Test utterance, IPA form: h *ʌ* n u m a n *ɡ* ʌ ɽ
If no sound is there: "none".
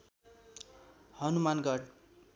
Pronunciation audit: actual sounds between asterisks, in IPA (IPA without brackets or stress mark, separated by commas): ʌ, ɡ